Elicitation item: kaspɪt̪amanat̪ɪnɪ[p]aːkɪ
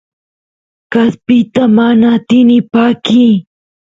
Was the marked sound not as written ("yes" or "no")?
no